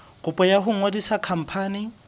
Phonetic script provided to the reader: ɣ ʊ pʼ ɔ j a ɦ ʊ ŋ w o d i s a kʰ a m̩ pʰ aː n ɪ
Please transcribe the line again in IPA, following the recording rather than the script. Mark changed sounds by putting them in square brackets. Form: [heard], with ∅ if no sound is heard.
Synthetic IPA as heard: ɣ ʊ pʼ ɔ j a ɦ ʊ ŋ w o d i s a kʰ a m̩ pʰ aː n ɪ